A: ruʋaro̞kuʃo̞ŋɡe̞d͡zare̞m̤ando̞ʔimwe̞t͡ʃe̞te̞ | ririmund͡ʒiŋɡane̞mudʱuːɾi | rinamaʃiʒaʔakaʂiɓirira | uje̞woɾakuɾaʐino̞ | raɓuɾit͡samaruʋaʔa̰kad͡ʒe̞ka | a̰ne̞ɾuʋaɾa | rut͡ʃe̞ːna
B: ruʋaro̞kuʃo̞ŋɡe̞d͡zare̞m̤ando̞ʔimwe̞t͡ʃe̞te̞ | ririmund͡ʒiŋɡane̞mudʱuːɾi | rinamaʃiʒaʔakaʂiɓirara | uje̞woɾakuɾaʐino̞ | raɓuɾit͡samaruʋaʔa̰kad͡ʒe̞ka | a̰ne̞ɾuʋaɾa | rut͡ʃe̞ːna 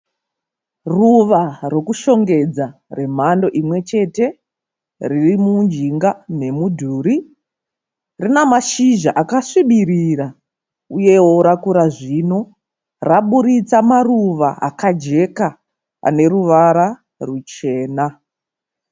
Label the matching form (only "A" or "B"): A